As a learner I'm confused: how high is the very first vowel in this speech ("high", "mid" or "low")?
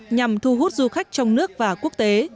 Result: low